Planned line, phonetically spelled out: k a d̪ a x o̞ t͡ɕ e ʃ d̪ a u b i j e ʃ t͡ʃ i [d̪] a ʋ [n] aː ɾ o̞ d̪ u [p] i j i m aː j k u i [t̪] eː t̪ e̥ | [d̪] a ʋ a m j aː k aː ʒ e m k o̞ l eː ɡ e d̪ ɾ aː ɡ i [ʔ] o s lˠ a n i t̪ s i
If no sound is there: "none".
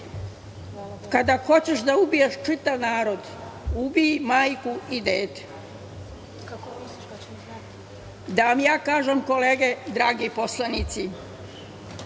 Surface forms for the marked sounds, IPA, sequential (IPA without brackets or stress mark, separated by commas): t̪, n, b, d̪, d̪, p